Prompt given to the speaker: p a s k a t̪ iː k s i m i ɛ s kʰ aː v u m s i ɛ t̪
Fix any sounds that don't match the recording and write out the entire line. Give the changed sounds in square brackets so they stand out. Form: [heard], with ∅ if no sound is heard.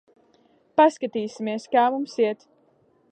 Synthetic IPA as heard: p a s k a t̪ iː [∅] s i m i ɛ s [k] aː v u m s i ɛ t̪